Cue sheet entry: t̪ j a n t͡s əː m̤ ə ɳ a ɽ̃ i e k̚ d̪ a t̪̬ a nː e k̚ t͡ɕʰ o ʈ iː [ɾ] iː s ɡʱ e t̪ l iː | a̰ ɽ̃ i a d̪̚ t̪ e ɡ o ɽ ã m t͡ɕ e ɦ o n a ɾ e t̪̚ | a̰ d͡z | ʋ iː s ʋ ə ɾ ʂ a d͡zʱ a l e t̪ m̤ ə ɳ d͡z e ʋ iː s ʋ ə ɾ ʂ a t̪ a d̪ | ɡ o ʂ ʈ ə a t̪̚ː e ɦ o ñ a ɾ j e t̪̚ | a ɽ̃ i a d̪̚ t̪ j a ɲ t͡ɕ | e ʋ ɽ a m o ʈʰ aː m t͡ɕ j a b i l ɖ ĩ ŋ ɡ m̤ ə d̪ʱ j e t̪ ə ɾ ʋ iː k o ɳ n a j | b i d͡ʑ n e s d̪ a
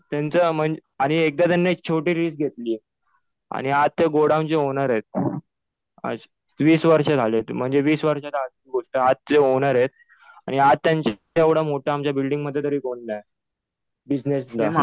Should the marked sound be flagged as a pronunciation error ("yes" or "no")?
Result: no